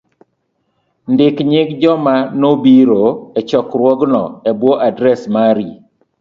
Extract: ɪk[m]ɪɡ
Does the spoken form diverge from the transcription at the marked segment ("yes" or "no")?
yes